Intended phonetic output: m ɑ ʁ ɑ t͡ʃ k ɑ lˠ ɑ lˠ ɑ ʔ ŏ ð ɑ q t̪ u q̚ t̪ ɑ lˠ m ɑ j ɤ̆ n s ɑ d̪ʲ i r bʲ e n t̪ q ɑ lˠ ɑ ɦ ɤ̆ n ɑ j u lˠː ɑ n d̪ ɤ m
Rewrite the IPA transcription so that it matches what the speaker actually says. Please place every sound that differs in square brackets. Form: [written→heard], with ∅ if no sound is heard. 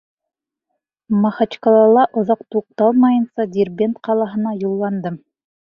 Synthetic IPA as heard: m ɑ [ʁ→χ] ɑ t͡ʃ k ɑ lˠ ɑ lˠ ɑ ʔ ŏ ð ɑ q t̪ u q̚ t̪ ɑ lˠ m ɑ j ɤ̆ n s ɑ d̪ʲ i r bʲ e n t̪ q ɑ lˠ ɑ ɦ ɤ̆ n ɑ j u lˠː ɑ n d̪ ɤ m